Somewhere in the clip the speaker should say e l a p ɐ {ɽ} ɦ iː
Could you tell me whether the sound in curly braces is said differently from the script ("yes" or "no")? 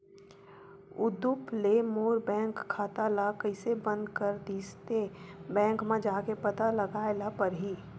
yes